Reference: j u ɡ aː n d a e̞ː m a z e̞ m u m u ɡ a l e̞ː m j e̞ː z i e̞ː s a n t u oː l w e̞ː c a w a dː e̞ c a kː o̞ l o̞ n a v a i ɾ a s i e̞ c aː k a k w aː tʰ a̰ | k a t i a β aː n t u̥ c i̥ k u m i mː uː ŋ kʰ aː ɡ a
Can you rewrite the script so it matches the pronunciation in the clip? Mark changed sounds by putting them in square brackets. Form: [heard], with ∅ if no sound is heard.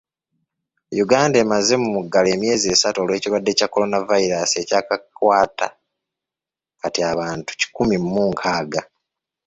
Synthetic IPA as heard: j u ɡ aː n d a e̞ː m a z e̞ m u m u ɡ a l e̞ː m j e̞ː z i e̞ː s a [∅] t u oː l w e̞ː c [i] w a dː e̞ c a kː o̞ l o̞ n a v a i ɾ a s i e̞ c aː k a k w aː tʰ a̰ | k a t i a β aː n t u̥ c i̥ k u m i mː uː ŋ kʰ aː ɡ a